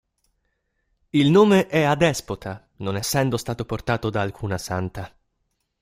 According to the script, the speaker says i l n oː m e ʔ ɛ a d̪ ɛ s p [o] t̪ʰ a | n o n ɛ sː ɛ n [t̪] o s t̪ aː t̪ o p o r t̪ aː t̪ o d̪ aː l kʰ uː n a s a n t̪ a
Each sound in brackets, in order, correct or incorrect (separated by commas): correct, incorrect